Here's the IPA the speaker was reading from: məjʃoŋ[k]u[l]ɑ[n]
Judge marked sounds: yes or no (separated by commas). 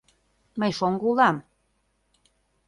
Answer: no, yes, no